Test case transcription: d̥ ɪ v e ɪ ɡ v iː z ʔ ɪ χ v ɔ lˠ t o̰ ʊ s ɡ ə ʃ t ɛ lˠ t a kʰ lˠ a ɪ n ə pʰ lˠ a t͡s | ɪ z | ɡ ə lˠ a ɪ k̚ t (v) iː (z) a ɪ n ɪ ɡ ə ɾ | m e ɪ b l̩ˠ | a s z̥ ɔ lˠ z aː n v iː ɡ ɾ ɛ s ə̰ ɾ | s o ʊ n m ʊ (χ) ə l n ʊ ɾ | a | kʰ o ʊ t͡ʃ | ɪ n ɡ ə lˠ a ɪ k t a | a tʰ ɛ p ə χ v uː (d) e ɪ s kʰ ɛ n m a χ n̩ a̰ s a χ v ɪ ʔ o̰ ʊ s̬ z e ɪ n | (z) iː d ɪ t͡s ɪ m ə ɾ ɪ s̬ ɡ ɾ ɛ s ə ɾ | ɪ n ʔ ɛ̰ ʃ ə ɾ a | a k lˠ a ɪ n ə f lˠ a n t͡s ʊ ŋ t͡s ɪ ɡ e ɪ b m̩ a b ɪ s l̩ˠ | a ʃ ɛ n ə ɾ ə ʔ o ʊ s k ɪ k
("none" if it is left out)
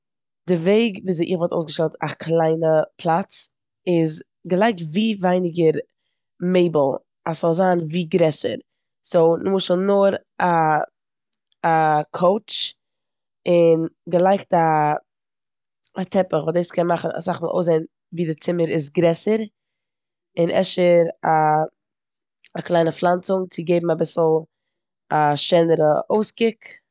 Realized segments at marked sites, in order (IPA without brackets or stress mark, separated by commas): v, v, ʃ, d, v